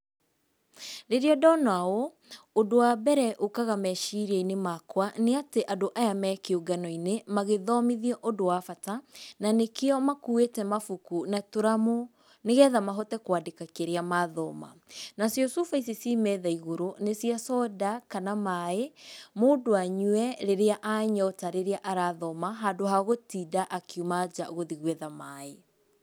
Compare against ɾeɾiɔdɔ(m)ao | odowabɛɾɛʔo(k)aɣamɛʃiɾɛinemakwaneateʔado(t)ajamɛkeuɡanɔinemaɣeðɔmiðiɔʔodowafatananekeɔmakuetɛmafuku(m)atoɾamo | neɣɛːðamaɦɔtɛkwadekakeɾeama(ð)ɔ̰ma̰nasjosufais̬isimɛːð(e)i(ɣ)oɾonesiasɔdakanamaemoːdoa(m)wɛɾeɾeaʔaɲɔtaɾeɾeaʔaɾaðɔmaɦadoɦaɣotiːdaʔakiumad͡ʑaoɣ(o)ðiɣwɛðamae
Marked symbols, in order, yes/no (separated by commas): no, yes, no, no, yes, no, yes, no, yes